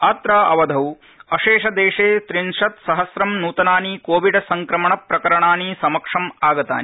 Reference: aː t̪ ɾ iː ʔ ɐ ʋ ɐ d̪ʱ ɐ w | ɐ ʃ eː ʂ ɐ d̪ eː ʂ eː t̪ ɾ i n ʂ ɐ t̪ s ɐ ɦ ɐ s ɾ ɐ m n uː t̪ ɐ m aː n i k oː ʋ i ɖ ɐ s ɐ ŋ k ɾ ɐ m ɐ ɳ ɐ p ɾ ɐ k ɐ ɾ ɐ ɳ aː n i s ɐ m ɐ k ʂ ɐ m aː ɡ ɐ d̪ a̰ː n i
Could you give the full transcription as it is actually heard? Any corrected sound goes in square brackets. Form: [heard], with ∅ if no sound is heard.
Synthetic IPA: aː t̪ ɾ [aː] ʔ ɐ ʋ ɐ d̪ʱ ɐ w | ɐ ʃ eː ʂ ɐ d̪ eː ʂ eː t̪ ɾ i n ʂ ɐ t̪ s ɐ ɦ ɐ s ɾ ɐ m n uː t̪ ɐ [n] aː n i k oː ʋ i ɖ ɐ s ɐ ŋ k ɾ ɐ m ɐ ɳ ɐ p ɾ ɐ k ɐ ɾ ɐ ɳ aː n i s ɐ m ɐ k ʂ ɐ m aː ɡ ɐ [t̪] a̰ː n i